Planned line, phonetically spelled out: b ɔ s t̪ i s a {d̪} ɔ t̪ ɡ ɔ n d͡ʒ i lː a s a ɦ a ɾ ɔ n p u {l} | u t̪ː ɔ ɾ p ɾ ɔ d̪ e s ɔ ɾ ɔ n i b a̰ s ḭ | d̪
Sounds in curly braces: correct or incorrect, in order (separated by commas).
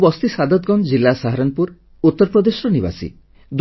correct, incorrect